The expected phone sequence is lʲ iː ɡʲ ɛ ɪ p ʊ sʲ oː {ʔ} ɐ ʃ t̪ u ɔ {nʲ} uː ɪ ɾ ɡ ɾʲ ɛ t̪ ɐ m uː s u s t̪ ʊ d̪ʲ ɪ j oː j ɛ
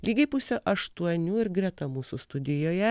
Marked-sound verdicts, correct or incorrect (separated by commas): correct, correct